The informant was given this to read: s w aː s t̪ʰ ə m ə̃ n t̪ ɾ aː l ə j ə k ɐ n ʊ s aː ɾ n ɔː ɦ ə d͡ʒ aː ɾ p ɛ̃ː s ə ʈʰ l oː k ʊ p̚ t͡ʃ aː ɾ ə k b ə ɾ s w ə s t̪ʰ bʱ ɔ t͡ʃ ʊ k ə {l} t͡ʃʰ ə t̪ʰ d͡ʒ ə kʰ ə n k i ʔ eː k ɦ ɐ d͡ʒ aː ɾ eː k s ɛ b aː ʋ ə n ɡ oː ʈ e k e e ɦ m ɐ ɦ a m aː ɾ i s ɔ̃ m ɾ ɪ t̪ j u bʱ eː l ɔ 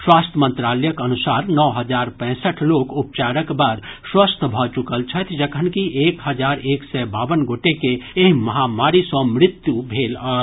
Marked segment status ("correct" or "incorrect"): correct